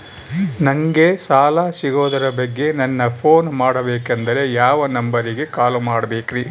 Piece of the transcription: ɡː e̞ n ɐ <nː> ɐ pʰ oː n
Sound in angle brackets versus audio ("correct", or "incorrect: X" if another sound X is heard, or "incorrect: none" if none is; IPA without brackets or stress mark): correct